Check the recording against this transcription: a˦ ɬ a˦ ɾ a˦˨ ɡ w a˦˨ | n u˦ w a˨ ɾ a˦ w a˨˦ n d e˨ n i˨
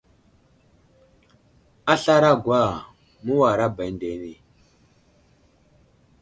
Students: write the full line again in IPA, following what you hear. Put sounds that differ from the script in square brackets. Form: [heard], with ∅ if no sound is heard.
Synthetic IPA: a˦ ɬ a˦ ɾ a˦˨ ɡ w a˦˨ | [m] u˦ w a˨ ɾ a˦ [b] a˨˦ n d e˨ n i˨